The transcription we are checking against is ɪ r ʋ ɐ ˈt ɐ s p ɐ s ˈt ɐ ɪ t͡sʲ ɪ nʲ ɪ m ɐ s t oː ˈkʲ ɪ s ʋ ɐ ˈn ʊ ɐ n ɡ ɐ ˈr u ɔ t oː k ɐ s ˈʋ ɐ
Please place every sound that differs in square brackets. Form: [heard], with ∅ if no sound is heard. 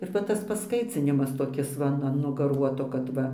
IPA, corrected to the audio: ɪ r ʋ ɐ ˈt ɐ s p ɐ s [ˈk] ɐ ɪ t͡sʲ ɪ nʲ ɪ m ɐ s t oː ˈkʲ ɪ s ʋ ɐ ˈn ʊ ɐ n ɡ ɐ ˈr u ɔ t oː k ɐ [t] ˈʋ ɐ